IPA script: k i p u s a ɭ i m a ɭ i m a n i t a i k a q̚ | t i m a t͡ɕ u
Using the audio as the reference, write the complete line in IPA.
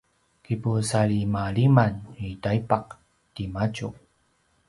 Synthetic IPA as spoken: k i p u s a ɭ i m a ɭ i m a n i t a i p a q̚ | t i m a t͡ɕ u